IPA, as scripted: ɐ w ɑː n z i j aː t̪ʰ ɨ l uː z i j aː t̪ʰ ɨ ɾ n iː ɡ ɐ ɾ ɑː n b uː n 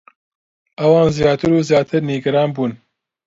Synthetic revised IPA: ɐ w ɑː n z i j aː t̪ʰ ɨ ɾ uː z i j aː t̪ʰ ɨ ɾ n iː ɡ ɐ ɾ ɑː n b uː n